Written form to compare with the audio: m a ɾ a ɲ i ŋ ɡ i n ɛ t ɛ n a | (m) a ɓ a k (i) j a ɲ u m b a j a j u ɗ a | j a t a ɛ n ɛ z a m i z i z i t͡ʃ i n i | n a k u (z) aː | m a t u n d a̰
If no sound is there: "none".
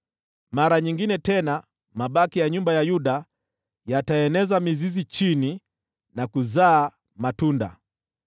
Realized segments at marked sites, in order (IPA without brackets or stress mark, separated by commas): m, i, z